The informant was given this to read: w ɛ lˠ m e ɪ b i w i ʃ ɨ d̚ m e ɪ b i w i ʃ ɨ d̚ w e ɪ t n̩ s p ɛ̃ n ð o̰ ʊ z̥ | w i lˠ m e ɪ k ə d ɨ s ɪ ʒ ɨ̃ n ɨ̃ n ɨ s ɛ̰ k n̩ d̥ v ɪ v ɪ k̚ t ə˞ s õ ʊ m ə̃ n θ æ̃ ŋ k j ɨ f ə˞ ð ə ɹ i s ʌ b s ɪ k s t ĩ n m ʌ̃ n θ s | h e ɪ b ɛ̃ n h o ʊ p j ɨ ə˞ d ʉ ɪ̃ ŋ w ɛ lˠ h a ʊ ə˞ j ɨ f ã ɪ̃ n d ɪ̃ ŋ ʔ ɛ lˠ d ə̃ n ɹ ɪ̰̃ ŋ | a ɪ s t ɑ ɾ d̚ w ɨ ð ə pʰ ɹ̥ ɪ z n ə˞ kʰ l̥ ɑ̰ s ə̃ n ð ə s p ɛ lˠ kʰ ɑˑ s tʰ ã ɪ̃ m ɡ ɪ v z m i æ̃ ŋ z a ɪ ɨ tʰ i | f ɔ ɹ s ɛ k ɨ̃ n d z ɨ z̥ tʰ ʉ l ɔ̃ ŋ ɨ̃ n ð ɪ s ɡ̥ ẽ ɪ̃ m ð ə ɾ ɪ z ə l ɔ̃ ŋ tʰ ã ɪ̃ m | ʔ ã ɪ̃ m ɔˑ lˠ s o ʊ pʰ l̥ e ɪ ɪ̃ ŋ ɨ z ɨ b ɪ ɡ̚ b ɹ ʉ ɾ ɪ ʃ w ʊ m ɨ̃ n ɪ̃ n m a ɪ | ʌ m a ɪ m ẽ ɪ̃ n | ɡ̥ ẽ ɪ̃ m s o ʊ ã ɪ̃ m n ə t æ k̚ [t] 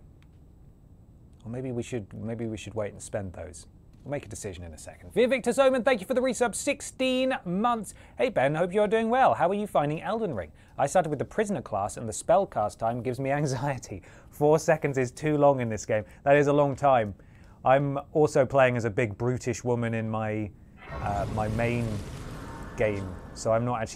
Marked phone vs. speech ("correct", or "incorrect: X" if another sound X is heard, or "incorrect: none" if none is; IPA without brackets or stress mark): incorrect: t͡ʃ